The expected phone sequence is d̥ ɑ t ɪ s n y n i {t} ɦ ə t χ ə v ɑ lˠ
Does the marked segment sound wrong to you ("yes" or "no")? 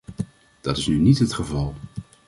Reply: no